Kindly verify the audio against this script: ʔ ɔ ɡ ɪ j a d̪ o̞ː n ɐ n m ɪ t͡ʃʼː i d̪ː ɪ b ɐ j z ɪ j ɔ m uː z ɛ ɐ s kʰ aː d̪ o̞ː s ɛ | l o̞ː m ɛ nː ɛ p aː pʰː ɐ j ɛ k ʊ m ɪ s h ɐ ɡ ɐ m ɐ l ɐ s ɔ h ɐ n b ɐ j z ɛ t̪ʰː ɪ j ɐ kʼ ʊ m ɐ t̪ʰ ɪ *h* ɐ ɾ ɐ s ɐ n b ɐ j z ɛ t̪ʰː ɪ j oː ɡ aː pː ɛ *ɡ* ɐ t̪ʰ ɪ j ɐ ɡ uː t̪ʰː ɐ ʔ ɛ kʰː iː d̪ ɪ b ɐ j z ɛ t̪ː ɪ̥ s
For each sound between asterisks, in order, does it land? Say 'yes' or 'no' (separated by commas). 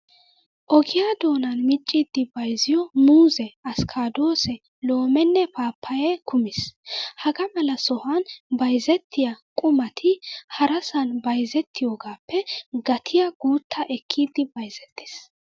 yes, yes